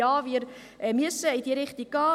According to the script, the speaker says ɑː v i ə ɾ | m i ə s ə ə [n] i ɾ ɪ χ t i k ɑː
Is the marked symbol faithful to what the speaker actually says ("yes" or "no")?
no